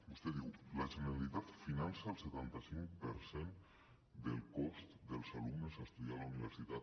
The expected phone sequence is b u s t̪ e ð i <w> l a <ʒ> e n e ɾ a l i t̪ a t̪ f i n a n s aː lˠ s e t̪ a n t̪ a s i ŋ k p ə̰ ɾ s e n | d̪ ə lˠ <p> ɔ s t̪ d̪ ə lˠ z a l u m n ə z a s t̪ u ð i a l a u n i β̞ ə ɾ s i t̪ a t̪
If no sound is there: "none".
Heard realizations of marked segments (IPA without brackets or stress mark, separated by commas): w, ʒ, k